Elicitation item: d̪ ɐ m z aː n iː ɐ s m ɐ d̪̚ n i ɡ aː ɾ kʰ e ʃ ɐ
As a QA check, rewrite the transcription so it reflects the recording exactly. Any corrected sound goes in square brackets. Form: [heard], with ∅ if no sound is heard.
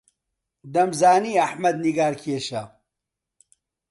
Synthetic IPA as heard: d̪ ɐ m z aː n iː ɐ [ħ] m ɐ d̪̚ n i ɡ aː ɾ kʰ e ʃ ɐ